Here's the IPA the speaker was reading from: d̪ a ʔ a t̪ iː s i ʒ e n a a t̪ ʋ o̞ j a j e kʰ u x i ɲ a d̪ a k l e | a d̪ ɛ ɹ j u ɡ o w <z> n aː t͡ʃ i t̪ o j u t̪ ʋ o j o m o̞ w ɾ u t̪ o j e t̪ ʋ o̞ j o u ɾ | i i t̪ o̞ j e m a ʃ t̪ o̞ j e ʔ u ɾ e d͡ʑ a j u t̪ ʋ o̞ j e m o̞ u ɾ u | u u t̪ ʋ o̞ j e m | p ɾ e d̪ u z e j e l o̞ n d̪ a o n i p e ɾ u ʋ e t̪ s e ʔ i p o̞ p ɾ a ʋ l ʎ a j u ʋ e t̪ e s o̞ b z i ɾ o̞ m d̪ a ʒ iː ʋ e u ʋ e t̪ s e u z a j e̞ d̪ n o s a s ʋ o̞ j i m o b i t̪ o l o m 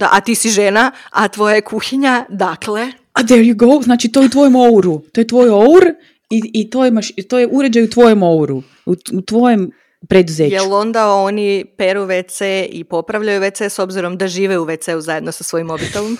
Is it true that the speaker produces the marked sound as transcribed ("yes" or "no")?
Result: yes